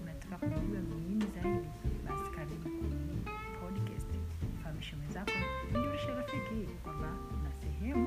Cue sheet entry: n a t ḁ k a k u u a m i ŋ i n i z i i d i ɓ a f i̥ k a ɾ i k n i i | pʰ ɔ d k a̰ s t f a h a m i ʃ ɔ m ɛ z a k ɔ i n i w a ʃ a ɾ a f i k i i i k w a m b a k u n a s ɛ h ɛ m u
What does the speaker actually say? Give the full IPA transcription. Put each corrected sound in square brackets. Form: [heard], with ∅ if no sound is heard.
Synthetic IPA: n a t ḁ k a k u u a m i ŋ i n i z [a] i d i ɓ a [s] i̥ k a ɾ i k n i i | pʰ ɔ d k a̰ s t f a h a m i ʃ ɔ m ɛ z a k ɔ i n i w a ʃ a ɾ a f i k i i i k w a m b a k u n a s ɛ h ɛ m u